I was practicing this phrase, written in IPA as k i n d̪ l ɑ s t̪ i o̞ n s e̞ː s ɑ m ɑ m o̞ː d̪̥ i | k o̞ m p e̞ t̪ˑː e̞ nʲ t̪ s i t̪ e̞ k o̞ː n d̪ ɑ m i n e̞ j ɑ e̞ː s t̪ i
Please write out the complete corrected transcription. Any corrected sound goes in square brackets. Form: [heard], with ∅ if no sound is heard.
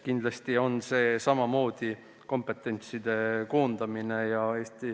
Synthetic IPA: k i n d̪ l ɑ s t̪ i o̞ n s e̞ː s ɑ m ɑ m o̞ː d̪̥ i | k o̞ m p e̞ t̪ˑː e̞ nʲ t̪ s i [d̪] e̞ k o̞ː n d̪ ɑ m i n e̞ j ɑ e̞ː s t̪ i